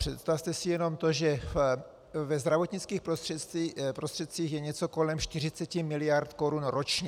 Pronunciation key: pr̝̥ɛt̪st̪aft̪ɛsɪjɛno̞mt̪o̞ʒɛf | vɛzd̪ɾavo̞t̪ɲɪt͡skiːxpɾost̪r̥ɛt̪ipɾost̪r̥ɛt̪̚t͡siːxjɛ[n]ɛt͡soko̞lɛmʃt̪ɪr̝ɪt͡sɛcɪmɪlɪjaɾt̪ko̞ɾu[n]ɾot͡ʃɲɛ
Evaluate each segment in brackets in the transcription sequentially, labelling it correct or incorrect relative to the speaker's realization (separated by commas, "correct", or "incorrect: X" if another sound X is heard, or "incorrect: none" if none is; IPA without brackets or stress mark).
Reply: incorrect: ɲ, correct